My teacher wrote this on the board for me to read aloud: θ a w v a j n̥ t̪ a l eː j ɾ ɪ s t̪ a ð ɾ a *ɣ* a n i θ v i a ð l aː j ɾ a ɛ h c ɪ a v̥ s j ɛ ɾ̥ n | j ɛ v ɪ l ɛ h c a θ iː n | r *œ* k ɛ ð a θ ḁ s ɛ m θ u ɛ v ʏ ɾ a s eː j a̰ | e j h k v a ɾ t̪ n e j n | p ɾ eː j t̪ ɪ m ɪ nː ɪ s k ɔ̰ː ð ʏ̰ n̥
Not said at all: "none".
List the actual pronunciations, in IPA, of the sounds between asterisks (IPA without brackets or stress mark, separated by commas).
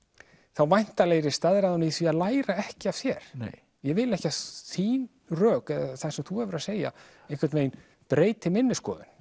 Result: ð, œː